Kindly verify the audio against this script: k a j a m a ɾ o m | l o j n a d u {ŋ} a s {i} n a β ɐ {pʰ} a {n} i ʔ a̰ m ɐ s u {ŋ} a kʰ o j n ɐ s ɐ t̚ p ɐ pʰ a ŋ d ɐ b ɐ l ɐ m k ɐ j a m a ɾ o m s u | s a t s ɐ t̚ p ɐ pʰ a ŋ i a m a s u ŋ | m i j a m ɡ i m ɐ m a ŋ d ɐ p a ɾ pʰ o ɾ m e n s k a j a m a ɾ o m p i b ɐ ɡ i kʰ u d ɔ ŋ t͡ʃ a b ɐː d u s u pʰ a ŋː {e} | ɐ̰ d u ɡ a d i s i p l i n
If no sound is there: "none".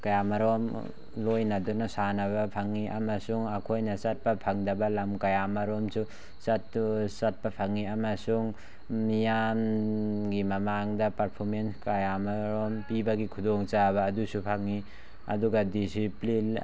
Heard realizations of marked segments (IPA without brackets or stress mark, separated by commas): n, a, pʰ, ŋ, ŋ, i